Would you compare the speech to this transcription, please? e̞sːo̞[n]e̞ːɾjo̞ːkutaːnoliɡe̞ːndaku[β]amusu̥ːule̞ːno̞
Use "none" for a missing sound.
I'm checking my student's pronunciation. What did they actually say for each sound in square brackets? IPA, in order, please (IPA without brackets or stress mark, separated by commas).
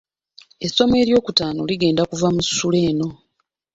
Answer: m, v